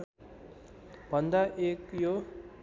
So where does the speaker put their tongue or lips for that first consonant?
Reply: lips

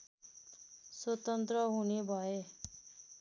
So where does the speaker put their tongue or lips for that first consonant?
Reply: tongue tip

